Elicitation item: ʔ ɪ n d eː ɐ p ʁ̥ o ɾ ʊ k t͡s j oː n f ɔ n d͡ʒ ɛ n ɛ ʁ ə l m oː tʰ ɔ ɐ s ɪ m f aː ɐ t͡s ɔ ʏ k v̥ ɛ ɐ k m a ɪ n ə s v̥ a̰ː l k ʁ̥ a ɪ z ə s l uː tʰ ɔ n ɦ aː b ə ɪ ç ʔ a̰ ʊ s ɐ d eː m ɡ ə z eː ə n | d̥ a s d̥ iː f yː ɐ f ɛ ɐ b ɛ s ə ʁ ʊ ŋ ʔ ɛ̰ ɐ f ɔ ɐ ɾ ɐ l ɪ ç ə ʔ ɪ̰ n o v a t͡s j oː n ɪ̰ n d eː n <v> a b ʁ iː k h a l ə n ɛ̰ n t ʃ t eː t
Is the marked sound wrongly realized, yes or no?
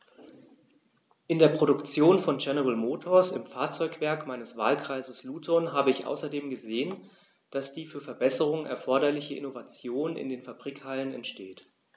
yes